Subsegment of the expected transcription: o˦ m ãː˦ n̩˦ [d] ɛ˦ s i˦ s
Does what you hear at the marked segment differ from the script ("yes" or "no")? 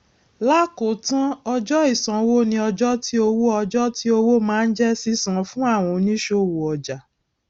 yes